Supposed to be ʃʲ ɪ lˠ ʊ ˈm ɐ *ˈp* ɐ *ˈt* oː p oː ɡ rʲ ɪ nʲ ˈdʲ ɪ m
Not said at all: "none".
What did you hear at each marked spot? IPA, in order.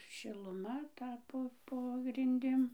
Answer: t, p

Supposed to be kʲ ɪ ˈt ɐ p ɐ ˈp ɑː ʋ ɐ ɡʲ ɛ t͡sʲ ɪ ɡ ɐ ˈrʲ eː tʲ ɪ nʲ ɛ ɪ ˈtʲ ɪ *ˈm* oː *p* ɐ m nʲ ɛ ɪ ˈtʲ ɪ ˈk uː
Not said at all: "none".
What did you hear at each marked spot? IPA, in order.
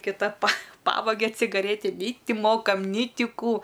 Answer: m, k

